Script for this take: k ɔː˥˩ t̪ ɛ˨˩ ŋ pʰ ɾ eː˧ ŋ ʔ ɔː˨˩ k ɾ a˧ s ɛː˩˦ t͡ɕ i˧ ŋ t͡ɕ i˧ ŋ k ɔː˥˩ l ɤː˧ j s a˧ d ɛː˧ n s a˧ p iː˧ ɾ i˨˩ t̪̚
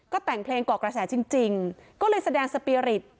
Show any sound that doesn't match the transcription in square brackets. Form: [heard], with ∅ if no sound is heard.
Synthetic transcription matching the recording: k ɔː˥˩ t̪ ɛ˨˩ ŋ pʰ [l] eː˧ ŋ [k] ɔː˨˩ k ɾ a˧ s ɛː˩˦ t͡ɕ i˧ ŋ t͡ɕ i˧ ŋ k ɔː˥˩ l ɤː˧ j s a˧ d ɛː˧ [ŋ] s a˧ p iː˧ ɾ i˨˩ t̪̚

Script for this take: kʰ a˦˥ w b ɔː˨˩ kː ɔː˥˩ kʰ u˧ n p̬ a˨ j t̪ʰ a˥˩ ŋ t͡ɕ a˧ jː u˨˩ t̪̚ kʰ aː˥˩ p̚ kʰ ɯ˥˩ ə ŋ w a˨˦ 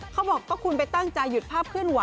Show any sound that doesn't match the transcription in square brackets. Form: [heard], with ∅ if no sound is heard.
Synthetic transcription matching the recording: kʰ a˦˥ w b ɔː˨˩ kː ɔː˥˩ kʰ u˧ n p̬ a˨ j [t̪] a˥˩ ŋ t͡ɕ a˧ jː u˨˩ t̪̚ [pʰ] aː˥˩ p̚ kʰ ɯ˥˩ ə [n] w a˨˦

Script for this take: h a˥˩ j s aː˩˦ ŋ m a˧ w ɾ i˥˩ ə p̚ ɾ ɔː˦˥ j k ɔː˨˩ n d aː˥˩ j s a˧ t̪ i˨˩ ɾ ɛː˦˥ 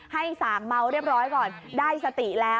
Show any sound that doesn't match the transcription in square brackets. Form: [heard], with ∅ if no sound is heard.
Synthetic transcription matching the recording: h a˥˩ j s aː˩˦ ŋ m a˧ w ɾ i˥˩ ə p̚ ɾ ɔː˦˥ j k ɔː˨˩ n d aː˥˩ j s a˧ t̪ i˨˩ [l] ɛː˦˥

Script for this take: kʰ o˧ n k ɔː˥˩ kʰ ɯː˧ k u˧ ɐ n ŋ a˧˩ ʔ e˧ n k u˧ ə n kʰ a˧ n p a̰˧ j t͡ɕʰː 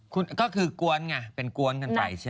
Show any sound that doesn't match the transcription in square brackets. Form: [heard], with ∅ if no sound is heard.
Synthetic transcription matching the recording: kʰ [u˧] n k ɔː˥˩ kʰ ɯː˧ k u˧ [ə] n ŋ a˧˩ [p] e˧ n k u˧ ə n [k] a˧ n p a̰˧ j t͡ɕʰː

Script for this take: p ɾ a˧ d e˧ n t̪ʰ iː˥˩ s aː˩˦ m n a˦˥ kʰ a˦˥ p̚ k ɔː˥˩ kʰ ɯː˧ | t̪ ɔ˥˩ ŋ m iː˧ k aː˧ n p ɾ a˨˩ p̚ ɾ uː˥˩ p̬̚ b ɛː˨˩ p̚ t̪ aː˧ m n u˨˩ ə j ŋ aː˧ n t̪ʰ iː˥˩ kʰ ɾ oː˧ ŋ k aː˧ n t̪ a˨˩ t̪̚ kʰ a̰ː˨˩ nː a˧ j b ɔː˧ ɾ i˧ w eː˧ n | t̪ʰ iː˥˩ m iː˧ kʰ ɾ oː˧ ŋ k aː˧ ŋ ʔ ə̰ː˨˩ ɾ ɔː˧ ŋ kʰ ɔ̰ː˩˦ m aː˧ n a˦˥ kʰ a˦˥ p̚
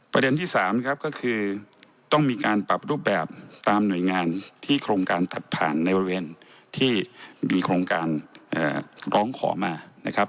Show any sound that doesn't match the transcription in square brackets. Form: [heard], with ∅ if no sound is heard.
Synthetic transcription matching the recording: p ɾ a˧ d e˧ n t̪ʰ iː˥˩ s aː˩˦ m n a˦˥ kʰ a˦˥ p̚ k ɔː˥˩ kʰ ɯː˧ | t̪ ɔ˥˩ ŋ m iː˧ k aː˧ n p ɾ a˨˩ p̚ ɾ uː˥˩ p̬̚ b ɛː˨˩ p̚ t̪ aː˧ m n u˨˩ ə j ŋ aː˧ n t̪ʰ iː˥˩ kʰ ɾ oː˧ ŋ k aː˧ n t̪ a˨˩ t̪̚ [pʰ] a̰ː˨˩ nː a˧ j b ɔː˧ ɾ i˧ w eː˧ n | t̪ʰ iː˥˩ m iː˧ kʰ ɾ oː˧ ŋ k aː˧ [n] ʔ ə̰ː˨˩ ɾ [ɔː˦˥] ŋ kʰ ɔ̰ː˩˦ m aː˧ n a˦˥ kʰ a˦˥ p̚

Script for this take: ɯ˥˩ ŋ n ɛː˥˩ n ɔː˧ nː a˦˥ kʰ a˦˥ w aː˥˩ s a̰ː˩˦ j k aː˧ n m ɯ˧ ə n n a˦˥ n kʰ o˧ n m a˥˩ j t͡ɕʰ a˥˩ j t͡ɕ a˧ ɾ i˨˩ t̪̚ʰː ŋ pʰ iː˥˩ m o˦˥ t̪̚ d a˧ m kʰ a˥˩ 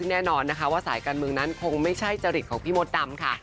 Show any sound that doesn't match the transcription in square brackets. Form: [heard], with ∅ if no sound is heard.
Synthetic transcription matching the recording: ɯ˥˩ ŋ n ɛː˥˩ n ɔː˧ nː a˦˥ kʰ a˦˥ w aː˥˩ s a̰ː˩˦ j k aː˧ n m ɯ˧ ə [ŋ] n a˦˥ n kʰ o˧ [ŋ] m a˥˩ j t͡ɕʰ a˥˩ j t͡ɕ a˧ ɾ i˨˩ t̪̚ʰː ŋ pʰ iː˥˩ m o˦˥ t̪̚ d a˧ m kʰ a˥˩

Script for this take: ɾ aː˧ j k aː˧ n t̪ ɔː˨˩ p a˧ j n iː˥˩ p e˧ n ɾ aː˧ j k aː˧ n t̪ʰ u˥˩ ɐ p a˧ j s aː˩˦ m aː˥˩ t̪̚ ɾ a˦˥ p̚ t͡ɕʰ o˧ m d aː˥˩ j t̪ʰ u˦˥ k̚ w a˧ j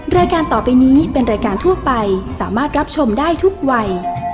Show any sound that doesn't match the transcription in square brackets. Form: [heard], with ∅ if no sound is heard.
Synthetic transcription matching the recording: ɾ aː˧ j k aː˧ n t̪ ɔː˨˩ p a˧ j n [iː˦˥] p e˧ n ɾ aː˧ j k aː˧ n t̪ʰ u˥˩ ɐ p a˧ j s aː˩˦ m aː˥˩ t̪̚ ɾ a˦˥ p̚ t͡ɕʰ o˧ m d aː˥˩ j t̪ʰ u˦˥ k̚ w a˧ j

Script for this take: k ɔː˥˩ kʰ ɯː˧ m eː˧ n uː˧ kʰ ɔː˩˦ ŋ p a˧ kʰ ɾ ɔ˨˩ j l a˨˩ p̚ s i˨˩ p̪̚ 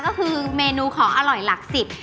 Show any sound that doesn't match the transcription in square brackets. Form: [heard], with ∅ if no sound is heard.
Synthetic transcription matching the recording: k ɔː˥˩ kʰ ɯː˧ m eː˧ n uː˧ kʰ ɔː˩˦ ŋ [ʔ] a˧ [∅] ɾ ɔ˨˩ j l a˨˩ [k̚] s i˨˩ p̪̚

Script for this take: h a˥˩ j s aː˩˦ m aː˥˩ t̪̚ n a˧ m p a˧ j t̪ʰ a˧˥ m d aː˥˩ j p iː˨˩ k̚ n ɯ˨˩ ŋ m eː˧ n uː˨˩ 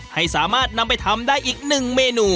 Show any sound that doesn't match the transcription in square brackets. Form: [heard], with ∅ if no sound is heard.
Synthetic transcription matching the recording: h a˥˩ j s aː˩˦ m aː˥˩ t̪̚ n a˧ m p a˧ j t̪ʰ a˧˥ m d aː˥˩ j [ʔ] iː˨˩ k̚ n ɯ˨˩ ŋ m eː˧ n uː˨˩

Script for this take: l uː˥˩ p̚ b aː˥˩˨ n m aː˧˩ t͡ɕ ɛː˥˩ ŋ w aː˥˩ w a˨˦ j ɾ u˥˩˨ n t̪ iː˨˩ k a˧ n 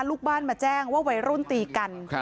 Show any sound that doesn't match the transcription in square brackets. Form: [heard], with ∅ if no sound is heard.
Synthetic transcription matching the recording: l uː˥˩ [k̚] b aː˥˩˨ n m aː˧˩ t͡ɕ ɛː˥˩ ŋ w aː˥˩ w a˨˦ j ɾ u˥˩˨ n t̪ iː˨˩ k a˧ n

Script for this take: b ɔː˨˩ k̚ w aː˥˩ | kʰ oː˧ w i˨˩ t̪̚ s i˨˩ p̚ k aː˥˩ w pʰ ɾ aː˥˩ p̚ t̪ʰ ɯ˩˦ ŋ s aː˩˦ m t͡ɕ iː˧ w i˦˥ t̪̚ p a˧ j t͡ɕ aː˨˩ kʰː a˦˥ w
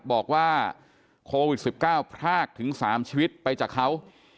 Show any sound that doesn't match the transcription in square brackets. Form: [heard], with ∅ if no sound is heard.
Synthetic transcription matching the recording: b ɔː˨˩ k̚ w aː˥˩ | kʰ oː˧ w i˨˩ t̪̚ s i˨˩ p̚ k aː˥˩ w pʰ ɾ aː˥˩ [k̚] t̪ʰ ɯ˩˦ ŋ s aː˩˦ m [t͡ɕʰ] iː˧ w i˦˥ t̪̚ p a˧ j t͡ɕ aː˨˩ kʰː a˦˥ w

